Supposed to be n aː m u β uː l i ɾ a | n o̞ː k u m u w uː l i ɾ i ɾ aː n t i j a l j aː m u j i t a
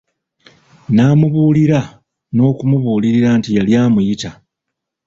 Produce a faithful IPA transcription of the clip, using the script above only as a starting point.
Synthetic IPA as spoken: n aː m u β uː l i ɾ a | n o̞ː k u m u β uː l i ɾ i ɾ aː n t i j a l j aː m u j i t a

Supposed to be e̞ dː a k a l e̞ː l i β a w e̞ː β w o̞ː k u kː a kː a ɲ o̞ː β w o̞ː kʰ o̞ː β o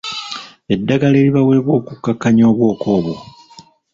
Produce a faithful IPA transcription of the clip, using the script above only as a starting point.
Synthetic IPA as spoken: e̞ dː a ɡ a l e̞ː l i β a w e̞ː β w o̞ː k u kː a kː a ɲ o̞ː β w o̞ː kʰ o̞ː β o

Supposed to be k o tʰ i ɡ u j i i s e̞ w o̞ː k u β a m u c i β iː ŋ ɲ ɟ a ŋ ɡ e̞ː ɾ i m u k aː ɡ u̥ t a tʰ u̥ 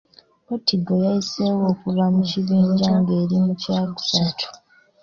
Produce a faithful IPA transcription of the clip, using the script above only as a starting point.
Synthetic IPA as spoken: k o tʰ i ɡ o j a i s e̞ w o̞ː k u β a m u c i β iː ɲ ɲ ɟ a ŋ ɡ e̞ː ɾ i m u c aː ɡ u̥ s a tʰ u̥

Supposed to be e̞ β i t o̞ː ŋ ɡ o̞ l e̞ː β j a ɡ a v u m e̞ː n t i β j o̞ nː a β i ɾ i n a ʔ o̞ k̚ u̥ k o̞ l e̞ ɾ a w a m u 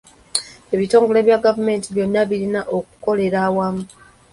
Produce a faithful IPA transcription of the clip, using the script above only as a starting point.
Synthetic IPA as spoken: e̞ β i t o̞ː ŋ ɡ o̞ l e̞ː β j a ɡ a v u m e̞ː n t i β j o̞ nː a β i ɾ i n a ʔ o̞ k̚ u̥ k o̞ l e̞ ɾ a w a m u

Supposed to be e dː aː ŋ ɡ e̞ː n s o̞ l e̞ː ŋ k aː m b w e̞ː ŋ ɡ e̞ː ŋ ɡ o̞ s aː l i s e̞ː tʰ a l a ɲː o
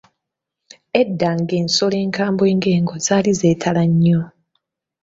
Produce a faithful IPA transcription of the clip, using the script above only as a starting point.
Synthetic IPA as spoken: e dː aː ŋ ɡ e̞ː n s o̞ l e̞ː ŋ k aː m b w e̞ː ŋ ɡ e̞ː ŋ ɡ o̞ z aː l i z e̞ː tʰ a l a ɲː o

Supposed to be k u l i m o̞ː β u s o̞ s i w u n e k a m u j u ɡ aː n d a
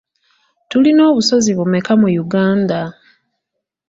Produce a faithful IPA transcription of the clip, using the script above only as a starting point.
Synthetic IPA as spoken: t u l i n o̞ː β u s o̞ z i β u m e k a m u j u ɡ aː n d a

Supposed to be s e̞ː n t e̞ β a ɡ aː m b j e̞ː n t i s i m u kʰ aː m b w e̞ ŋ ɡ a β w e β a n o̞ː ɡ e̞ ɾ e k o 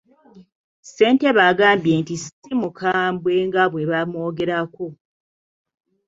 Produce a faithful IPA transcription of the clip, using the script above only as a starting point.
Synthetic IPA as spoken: s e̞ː n t e̞ β a ɡ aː m b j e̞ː n t i s i m u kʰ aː m b w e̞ ŋ ɡ a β w e β a m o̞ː ɡ e̞ ɾ a k o

